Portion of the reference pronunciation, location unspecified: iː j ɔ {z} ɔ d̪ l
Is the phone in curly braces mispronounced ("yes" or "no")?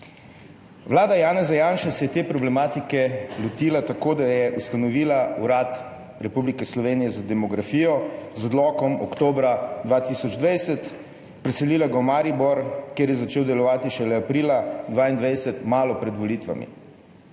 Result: no